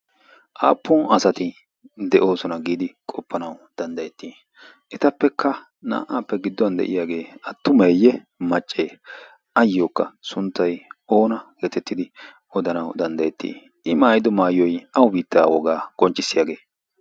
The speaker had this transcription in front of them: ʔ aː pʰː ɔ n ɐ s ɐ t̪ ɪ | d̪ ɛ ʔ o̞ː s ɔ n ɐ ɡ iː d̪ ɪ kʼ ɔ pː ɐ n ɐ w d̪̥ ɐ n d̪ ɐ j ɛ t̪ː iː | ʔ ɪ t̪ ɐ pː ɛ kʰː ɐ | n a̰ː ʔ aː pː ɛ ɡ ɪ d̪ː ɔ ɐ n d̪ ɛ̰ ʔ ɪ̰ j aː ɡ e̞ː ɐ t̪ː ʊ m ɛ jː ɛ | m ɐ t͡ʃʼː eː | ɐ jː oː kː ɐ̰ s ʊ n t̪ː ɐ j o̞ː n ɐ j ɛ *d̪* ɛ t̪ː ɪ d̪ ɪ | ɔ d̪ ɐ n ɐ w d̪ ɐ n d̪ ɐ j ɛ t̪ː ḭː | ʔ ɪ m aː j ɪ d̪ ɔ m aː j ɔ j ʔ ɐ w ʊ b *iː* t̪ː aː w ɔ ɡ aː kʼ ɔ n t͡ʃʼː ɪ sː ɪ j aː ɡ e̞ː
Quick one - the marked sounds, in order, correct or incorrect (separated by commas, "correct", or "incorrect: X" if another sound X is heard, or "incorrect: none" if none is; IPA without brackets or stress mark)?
incorrect: t̪, correct